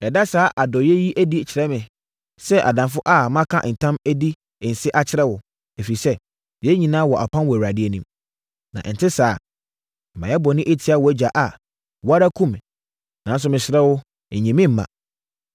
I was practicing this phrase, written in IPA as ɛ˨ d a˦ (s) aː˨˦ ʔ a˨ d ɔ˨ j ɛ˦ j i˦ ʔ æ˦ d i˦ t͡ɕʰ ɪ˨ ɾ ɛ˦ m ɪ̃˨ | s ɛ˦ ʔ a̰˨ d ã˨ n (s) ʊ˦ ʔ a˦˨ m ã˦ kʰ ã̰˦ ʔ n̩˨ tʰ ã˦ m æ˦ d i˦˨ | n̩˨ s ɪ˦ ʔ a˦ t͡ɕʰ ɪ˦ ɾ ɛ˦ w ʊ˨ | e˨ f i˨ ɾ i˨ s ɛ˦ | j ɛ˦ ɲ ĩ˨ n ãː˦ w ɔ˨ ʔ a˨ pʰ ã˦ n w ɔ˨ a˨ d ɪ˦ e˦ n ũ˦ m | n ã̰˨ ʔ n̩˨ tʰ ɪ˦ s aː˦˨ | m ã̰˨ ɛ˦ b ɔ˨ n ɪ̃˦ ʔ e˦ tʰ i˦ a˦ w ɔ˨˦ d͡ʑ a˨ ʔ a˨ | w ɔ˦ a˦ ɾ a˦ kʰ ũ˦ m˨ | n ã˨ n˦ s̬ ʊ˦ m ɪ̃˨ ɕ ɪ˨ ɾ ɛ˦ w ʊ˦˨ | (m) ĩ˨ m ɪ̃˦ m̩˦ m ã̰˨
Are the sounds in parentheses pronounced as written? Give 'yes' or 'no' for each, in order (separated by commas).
yes, no, no